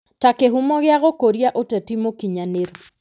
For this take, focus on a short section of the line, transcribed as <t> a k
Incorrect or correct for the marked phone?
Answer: correct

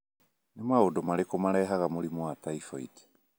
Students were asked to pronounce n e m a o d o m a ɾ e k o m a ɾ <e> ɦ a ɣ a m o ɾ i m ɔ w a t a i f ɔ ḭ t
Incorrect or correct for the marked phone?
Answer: incorrect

